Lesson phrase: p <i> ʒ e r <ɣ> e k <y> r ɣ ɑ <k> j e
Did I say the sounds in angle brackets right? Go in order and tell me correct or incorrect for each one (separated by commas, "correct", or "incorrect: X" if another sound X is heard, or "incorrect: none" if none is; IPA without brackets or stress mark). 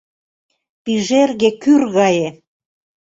correct, correct, correct, incorrect: none